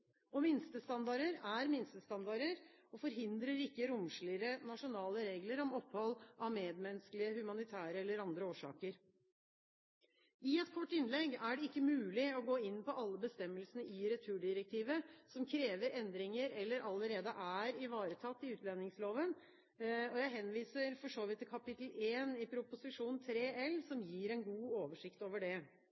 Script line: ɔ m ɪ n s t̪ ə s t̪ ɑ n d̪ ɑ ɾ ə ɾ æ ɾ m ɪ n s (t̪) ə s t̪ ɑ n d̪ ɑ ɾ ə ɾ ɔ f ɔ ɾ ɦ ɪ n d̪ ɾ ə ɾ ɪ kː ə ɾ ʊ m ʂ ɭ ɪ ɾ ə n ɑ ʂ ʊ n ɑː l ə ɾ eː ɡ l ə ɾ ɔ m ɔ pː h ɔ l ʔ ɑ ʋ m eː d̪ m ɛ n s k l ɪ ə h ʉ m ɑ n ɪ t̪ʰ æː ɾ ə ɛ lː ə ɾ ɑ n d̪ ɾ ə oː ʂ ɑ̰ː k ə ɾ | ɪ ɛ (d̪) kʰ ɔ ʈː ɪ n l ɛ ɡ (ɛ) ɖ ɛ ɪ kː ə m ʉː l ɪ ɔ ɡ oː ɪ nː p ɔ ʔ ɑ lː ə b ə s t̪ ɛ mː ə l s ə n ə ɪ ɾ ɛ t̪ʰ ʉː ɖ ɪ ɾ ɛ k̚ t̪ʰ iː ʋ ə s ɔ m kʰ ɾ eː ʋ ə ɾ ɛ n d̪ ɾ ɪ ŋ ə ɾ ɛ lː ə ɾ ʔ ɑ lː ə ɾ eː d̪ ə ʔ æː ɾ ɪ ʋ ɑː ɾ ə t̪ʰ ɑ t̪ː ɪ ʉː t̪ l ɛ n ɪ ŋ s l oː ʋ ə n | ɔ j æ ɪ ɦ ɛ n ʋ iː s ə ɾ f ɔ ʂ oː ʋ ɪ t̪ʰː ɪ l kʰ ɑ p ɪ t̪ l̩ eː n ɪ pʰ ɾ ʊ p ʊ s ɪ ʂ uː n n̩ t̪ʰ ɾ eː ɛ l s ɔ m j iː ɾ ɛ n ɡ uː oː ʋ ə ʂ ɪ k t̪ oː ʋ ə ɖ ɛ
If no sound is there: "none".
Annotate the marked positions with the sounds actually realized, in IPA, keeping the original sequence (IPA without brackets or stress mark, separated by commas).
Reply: t̪, t̪, æ